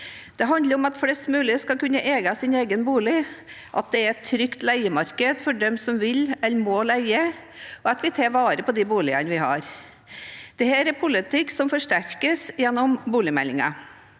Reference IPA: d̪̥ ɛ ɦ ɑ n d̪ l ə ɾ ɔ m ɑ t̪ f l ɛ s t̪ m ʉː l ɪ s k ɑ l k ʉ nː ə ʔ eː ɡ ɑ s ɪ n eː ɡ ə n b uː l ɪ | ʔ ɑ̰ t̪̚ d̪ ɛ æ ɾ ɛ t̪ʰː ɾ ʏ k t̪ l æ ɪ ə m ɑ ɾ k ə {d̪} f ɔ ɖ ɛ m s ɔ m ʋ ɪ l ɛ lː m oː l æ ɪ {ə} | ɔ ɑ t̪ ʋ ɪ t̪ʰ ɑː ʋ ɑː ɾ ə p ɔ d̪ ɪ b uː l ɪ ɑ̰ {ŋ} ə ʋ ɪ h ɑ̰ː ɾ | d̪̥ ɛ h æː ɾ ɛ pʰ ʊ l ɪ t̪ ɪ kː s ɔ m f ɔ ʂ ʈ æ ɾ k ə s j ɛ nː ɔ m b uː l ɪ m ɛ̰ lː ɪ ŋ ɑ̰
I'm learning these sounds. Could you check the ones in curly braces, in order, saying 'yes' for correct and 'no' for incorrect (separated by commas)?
yes, yes, no